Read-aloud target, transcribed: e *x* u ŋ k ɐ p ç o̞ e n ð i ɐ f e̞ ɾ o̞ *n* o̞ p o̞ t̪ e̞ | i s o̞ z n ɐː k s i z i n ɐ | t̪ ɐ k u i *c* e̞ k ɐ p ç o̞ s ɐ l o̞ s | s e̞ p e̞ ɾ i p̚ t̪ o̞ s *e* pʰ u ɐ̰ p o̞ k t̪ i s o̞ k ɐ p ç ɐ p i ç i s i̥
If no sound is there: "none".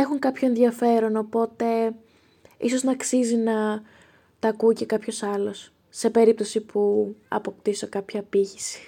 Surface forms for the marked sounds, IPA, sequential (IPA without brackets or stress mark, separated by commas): x, n, c, i